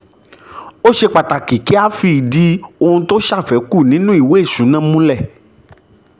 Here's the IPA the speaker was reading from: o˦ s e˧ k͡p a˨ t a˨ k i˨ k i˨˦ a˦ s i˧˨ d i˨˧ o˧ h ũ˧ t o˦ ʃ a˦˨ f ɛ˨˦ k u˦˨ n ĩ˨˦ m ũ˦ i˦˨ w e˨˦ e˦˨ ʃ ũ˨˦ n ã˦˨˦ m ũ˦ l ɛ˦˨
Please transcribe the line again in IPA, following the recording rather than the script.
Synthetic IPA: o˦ ʃ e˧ k͡p a˨ t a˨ k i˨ k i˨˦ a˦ f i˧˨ d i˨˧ o˧ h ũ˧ t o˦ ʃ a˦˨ f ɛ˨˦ k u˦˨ n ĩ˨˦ n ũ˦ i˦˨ w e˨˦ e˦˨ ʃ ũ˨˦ n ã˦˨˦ m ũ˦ l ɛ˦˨